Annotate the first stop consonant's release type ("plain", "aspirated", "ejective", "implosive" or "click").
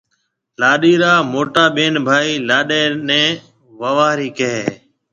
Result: implosive